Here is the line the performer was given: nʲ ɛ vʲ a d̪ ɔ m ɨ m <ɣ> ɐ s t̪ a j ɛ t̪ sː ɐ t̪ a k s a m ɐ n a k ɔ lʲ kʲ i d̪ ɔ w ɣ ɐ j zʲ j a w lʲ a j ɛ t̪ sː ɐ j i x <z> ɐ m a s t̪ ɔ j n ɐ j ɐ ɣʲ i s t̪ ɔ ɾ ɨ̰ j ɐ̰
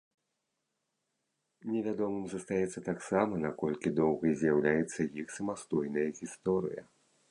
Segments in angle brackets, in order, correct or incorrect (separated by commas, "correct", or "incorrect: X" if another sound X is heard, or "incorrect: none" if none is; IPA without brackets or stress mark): incorrect: z, incorrect: s